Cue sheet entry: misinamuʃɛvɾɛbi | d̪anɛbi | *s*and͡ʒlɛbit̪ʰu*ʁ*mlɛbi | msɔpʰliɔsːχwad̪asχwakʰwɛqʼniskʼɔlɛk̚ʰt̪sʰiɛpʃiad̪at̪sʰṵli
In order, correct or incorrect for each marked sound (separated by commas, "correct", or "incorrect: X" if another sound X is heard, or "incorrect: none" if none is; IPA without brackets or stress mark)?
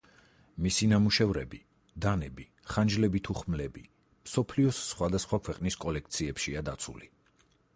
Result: incorrect: χ, incorrect: χ